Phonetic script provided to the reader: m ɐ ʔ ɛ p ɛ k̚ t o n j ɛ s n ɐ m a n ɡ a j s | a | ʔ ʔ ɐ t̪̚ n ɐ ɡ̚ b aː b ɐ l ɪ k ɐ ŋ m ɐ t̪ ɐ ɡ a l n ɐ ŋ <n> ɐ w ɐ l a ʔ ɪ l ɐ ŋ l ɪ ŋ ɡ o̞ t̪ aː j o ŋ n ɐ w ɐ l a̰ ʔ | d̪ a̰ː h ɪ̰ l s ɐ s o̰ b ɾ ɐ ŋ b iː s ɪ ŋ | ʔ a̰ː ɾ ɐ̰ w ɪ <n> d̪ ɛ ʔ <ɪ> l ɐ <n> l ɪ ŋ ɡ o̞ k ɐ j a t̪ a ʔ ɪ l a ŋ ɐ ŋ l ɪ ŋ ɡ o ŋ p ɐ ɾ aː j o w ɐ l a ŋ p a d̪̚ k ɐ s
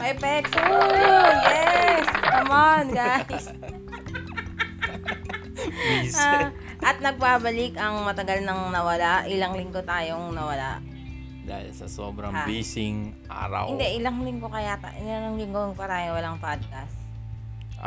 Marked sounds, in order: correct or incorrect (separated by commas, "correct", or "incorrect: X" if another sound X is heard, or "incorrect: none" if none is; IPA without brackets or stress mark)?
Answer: correct, correct, correct, incorrect: ŋ